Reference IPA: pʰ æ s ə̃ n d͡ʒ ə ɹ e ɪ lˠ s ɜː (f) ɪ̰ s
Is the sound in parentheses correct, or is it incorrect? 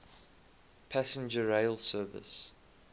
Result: incorrect